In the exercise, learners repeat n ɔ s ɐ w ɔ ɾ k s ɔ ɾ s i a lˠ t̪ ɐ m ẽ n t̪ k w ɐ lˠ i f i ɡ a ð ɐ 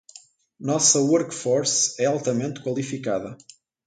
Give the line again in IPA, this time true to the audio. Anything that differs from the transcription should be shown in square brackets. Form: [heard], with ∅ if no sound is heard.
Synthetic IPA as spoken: n ɔ s ɐ w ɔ ɾ k [f] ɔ ɾ s [ɛ] a lˠ t̪ ɐ m ẽ n t̪ k w ɐ lˠ i f i [k] a ð ɐ